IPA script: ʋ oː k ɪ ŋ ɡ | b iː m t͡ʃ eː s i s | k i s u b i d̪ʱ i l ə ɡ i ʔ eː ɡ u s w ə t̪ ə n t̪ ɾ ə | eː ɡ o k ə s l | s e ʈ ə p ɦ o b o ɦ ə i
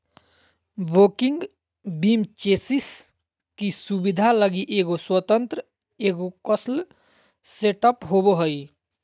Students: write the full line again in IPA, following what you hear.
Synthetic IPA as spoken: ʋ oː k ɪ ŋ ɡ | b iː m t͡ʃ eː s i s | k i s u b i d̪ʱ a l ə ɡ i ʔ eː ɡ o s w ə t̪ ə n t̪ ɾ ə | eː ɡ o k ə s l | s e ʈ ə p ɦ o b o ɦ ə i